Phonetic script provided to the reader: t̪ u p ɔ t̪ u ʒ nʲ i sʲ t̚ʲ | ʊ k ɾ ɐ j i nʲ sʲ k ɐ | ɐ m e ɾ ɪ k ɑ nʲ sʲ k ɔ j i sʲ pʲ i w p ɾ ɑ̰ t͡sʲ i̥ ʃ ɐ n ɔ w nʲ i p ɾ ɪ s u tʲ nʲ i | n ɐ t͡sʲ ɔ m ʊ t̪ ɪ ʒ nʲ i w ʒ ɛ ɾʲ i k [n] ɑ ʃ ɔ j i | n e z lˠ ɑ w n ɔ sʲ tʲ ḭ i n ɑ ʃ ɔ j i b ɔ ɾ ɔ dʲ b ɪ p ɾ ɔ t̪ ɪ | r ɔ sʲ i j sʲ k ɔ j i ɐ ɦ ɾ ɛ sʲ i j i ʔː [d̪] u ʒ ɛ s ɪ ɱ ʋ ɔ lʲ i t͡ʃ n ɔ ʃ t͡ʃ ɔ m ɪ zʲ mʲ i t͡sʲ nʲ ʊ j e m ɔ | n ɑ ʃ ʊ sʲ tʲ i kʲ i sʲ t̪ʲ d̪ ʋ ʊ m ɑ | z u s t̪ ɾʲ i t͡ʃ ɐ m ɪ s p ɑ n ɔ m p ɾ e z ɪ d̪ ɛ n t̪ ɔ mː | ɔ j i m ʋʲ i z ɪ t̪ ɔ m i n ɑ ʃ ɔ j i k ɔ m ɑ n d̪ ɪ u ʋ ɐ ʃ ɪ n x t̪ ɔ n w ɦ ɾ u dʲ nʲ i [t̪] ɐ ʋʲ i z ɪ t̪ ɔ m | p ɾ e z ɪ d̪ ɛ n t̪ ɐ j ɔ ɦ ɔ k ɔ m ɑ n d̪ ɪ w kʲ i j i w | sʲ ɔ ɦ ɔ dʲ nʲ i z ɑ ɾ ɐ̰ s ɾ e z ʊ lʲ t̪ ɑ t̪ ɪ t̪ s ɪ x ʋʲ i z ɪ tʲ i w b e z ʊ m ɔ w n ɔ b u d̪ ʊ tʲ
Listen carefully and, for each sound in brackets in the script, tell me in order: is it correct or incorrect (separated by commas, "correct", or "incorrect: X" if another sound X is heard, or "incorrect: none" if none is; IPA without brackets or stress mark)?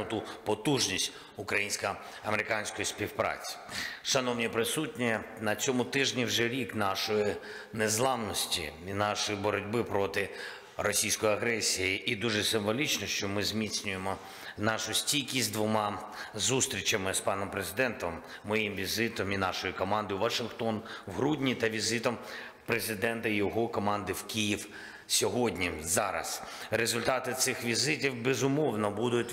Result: correct, correct, correct